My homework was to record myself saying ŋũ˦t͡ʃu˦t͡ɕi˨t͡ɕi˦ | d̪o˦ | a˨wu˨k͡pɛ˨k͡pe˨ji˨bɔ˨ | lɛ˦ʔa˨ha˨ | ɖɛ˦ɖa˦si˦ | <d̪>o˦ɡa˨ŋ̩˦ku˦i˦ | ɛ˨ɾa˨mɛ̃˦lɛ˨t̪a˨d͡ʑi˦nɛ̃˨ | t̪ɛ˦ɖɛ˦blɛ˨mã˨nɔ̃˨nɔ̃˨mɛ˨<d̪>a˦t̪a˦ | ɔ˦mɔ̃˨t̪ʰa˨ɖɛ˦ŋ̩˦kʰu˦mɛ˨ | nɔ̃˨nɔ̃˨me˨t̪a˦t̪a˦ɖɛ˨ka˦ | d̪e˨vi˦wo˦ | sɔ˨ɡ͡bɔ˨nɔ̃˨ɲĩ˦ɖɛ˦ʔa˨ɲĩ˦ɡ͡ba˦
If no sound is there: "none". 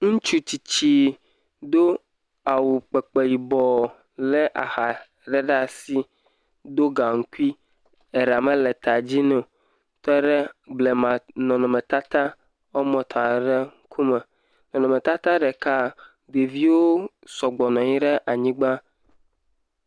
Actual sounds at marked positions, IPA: d̪, t̪

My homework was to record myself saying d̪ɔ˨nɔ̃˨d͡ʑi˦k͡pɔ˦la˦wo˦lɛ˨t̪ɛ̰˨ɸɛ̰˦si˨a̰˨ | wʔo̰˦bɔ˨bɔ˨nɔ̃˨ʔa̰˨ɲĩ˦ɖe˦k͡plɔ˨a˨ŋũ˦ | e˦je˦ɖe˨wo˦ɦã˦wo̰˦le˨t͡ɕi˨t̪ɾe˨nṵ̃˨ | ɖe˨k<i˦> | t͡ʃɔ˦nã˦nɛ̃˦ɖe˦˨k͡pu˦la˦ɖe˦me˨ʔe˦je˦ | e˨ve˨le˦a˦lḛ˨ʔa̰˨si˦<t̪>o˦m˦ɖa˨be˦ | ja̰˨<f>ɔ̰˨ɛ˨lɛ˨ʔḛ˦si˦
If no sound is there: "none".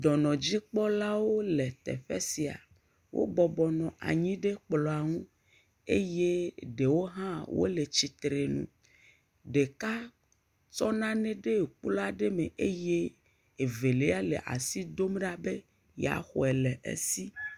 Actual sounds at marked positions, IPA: a˦, d̪, x

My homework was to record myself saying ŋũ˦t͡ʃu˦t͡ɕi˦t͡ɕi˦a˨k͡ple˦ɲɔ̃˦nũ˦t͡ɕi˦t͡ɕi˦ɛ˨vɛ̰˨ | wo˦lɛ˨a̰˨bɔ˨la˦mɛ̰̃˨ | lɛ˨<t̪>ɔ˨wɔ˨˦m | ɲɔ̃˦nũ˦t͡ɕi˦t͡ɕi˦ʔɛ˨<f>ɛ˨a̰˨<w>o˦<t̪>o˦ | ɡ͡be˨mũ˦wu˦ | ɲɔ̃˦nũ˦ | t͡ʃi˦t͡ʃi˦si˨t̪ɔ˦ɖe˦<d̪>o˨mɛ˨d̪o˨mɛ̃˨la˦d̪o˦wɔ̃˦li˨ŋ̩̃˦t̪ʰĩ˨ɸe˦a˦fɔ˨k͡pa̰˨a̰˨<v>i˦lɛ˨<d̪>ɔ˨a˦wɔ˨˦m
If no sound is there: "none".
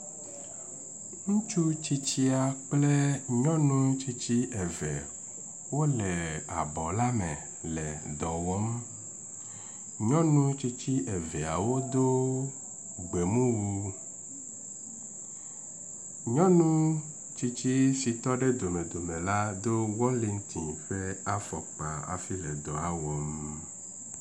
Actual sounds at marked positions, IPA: d̪, v, w, d̪, d̪, f, d̪

